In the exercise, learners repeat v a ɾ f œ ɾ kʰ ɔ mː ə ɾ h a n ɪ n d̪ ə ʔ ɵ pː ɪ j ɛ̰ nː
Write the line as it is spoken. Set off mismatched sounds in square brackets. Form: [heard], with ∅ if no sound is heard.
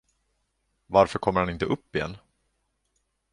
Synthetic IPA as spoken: v a ɾ f œ ɾ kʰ ɔ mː ə ɾ h a n ɪ n [t̪] ə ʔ ɵ pː ɪ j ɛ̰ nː